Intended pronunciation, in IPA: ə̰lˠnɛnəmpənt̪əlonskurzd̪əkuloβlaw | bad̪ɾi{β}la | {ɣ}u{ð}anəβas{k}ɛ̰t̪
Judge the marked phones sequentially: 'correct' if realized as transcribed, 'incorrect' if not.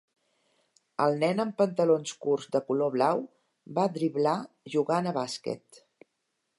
correct, incorrect, incorrect, correct

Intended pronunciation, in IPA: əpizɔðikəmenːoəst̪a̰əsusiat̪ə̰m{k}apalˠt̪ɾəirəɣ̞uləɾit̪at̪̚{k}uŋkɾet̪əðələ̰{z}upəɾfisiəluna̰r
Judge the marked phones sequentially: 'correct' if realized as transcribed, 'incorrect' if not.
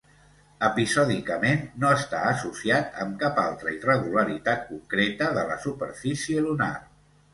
correct, correct, incorrect

